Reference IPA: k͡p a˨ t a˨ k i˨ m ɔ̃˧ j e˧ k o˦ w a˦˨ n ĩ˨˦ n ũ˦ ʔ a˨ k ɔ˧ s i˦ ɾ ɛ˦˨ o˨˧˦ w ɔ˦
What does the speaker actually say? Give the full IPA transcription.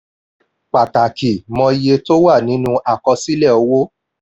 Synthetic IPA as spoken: k͡p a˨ t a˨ k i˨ m ɔ̃˧ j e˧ t o˦ w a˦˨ n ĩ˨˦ n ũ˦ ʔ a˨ k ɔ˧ s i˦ l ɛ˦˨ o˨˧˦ w o˦